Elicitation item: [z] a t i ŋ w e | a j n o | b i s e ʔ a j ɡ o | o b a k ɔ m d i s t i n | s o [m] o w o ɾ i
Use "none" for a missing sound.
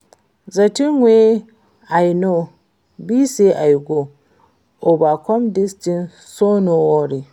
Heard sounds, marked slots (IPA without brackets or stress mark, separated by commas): z, n